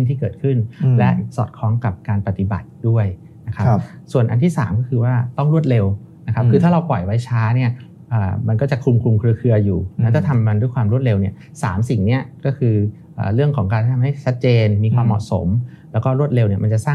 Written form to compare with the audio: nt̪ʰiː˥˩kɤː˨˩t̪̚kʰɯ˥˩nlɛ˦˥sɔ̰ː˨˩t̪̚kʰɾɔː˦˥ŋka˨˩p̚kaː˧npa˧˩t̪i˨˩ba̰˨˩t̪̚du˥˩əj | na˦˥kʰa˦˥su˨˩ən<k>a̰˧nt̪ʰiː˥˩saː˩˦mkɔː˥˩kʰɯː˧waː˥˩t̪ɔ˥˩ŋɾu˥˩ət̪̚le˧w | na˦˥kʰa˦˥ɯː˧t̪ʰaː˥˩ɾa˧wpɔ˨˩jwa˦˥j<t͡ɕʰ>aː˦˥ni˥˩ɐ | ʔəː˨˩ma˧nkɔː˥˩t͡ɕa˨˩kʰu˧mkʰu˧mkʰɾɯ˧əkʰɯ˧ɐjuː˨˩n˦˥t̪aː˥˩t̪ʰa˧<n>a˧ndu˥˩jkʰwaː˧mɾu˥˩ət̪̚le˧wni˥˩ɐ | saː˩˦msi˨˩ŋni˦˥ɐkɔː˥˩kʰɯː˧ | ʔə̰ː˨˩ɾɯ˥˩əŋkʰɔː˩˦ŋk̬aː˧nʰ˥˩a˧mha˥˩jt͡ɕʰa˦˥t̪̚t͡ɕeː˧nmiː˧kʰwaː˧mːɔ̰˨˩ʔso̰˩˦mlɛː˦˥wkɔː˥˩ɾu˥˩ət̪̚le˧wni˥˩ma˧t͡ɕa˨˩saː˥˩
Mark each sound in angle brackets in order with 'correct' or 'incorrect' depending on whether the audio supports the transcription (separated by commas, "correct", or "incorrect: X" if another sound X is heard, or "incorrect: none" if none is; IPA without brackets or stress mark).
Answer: incorrect: ʔ, correct, incorrect: m